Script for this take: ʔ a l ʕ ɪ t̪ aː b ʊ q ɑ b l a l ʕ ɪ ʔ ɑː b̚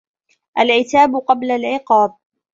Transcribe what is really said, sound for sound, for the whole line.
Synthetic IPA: ʔ a l ʕ ɪ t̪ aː b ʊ q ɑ b l a l ʕ ɪ q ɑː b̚